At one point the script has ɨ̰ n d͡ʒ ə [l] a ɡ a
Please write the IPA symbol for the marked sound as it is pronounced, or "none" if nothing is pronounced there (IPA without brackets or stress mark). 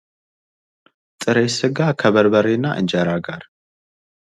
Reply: ɾ